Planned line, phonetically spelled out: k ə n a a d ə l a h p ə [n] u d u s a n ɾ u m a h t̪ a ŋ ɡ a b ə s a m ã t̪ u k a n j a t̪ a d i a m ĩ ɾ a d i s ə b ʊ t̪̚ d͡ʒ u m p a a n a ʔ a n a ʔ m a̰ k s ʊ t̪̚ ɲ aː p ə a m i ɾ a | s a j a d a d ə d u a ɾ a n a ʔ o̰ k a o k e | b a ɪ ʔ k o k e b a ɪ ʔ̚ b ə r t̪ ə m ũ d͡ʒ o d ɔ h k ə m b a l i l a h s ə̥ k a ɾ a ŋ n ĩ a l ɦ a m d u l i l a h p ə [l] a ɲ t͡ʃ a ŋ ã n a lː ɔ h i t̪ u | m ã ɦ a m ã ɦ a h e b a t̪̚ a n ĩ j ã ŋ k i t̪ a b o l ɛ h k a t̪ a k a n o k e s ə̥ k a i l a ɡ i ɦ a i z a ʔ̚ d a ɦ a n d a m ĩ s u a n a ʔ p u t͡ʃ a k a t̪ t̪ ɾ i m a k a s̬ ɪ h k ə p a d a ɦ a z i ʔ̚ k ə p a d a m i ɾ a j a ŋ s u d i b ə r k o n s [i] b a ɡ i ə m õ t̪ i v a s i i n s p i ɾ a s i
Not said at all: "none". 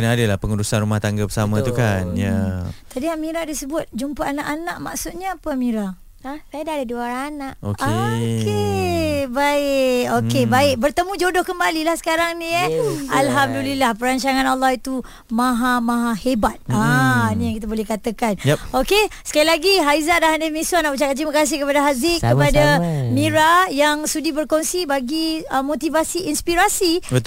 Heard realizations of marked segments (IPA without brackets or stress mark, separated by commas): ŋ, ɾ, i